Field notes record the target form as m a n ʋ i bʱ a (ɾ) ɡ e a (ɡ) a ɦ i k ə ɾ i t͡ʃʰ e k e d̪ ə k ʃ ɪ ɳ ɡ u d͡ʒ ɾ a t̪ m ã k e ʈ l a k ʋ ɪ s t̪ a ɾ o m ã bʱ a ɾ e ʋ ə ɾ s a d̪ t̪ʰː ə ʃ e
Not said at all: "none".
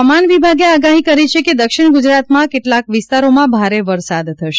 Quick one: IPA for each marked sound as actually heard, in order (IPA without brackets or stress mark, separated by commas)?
none, ɡ